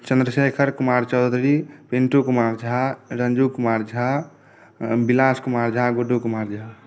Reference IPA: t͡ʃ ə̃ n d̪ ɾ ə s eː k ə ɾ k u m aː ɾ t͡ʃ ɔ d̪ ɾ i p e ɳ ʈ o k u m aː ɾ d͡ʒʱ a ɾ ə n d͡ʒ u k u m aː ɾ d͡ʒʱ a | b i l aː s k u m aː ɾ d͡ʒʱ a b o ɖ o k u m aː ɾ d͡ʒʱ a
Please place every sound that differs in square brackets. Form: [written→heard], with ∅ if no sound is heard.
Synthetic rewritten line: t͡ʃ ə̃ n d̪ ɾ ə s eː [k→kʰ] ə ɾ k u m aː ɾ t͡ʃ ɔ d̪ ɾ i p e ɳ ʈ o k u m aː ɾ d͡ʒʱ a ɾ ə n d͡ʒ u k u m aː ɾ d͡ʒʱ a | b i l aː s k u m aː ɾ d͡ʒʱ a [b→ɡ] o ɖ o k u m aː ɾ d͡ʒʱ a